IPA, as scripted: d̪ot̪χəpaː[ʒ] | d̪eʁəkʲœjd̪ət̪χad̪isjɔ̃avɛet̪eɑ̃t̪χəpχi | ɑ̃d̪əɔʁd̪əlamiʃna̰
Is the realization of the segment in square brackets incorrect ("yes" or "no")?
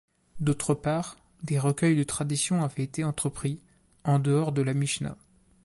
yes